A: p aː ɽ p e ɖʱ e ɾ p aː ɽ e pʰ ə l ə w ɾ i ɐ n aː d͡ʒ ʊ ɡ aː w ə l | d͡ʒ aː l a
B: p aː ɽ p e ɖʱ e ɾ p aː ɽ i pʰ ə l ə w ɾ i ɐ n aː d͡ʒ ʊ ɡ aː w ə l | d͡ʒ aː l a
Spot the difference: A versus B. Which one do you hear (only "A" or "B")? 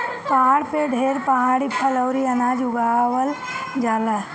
B